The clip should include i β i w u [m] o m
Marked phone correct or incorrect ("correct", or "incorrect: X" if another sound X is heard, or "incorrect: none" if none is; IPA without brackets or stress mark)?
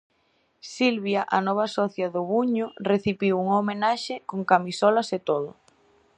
incorrect: ŋ